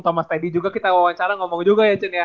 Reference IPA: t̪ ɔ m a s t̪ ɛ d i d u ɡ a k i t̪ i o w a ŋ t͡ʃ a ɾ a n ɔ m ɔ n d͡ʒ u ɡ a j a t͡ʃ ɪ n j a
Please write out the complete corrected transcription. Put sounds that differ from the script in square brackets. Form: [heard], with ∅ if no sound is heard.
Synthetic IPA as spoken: t̪ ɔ m a s t̪ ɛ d i [d͡ʒ] u ɡ a k i t̪ [a] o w a ŋ t͡ʃ a ɾ a [ŋ] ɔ m ɔ [ŋ] d͡ʒ u ɡ a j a t͡ʃ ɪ n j a